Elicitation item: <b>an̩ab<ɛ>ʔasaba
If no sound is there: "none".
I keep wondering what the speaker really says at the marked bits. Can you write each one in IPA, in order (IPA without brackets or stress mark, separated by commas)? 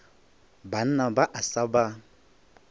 b, a